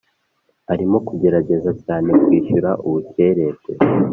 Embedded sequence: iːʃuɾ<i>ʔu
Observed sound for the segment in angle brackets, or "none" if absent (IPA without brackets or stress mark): a